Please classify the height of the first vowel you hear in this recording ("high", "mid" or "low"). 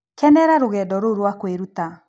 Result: mid